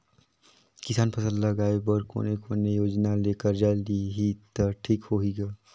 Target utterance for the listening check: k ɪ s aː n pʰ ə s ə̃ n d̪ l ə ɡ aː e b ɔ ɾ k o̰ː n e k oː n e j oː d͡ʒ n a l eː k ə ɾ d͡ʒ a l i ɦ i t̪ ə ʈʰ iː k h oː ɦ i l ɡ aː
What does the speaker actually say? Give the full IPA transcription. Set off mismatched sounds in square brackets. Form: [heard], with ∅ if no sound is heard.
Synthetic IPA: k ɪ s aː n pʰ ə s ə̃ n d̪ l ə ɡ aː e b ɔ ɾ k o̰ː n e k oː n e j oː d͡ʒ n a l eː k ə ɾ d͡ʒ a l i ɦ i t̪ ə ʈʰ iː k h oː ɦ i [∅] ɡ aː